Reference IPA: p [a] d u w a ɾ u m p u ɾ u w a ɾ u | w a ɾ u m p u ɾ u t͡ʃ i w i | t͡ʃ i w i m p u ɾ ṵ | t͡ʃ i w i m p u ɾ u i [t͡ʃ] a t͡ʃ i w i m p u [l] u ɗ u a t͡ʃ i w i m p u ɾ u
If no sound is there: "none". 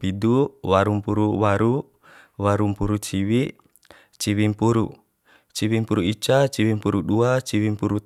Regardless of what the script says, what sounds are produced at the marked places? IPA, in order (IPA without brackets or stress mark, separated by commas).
i, t͡ʃ, ɾ